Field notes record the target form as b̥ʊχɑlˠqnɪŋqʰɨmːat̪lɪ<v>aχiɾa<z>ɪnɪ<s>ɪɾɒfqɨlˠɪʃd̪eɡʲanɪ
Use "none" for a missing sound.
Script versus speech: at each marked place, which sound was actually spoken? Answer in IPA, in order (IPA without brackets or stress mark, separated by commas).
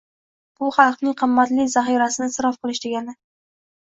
z, s, s